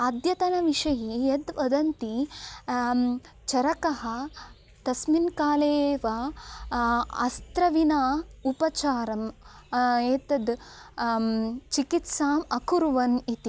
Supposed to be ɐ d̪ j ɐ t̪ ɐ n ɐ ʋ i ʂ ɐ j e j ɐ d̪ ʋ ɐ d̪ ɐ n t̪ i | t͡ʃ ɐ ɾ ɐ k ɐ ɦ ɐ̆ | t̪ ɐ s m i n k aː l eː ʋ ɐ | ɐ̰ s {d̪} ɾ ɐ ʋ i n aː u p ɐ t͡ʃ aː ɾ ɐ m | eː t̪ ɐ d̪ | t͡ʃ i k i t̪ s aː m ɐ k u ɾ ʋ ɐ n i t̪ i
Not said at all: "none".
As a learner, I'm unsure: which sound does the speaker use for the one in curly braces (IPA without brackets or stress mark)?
t̪